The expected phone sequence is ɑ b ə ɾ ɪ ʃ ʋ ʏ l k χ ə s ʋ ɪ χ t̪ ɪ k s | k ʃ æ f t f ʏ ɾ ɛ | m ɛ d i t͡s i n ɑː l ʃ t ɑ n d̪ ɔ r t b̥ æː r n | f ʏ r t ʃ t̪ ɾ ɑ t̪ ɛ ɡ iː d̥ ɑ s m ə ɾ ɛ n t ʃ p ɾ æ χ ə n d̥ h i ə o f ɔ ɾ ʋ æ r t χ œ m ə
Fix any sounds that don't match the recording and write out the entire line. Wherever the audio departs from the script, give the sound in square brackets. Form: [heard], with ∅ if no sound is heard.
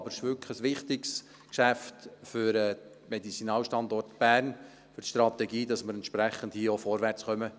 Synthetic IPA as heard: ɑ b ə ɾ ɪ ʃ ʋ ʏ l k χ ə s ʋ ɪ χ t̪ ɪ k s | k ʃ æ f t f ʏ ɾ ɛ | m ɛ d i t͡s i n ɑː l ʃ t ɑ n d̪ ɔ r t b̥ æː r n | f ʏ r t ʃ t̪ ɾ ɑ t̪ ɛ ɡ iː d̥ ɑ s m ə ɾ ɛ n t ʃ p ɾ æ χ ə n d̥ h i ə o f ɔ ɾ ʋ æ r [t͡s] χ œ m ə